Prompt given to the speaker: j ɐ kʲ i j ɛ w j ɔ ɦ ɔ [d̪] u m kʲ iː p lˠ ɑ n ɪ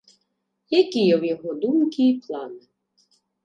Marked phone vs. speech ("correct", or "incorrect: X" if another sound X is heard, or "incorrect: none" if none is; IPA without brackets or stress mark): correct